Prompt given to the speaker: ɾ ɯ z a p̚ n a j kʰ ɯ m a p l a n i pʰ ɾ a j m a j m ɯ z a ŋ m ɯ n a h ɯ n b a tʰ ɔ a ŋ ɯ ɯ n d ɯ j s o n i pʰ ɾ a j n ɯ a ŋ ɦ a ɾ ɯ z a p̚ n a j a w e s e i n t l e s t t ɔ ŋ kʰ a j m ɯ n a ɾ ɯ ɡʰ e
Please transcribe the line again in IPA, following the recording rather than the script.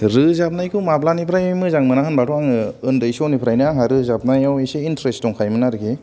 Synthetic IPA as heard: ɾ ɯ z a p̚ n a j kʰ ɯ m a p l a n i pʰ ɾ a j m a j m ɯ z a ŋ m ɯ n a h ɯ n b a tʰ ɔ a ŋ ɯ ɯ n d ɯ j s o n i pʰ ɾ a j n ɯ a ŋ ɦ a ɾ ɯ z a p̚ n a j a w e s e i n t ɾ e s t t ɔ ŋ kʰ a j m ɯ n a ɾ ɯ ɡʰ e

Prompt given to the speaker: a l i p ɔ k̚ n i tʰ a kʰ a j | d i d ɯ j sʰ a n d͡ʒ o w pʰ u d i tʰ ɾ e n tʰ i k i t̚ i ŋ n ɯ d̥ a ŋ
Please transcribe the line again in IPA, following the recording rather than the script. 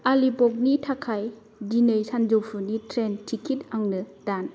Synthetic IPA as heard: a l i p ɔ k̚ n i tʰ a kʰ a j | d i n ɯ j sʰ a n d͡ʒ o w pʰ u n i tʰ ɾ e n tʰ i k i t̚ a ŋ n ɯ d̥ a n

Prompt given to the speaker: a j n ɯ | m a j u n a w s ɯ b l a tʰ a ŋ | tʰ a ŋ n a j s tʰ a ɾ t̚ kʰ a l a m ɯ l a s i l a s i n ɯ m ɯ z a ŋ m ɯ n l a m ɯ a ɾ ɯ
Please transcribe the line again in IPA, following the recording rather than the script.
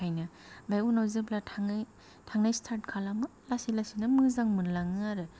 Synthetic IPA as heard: a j n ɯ | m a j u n a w z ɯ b l a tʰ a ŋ | tʰ a ŋ n a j s tʰ a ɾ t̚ kʰ a l a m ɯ l a s i l a s i n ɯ m ɯ z a ŋ m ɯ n l a ŋ ɯ a ɾ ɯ

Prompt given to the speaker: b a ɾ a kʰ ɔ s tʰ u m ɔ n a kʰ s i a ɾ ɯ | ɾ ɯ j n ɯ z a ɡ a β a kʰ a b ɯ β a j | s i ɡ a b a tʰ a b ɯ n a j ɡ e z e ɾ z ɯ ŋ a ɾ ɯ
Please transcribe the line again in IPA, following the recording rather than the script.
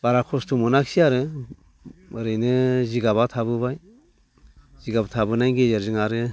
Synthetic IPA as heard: b a ɾ a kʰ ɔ s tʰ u m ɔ n a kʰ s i a ɾ ɯ | ɾ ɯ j n ɯ z i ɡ a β a tʰ a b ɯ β a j | z i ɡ a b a tʰ a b ɯ n a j ɡ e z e ɾ z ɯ ŋ a ɾ ɯ

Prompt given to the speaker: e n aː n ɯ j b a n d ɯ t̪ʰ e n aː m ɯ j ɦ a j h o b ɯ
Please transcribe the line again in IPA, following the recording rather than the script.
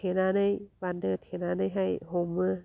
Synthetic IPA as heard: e n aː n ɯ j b a n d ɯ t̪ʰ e n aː n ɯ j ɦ a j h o m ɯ

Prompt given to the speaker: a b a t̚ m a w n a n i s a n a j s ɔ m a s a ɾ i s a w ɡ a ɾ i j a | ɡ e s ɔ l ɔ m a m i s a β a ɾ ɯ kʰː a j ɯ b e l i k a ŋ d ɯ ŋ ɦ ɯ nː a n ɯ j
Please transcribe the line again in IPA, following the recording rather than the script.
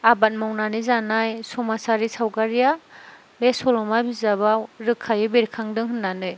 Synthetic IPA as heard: a b a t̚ m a w n a n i z a n a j s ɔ m a s a ɾ i s a w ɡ a ɾ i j a | b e s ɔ l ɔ m a b i z a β a ɾ ɯ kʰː a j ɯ b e ɾ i kʰ a ŋ d ɯ ŋ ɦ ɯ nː a n ɯ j

